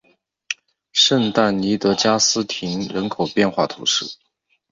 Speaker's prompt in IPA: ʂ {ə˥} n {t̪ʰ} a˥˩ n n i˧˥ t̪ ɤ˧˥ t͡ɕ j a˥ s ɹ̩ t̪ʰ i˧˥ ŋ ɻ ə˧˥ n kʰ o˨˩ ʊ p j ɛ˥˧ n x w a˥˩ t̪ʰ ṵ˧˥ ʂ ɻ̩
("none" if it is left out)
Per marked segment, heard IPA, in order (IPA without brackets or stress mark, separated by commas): ə˥˧, t̪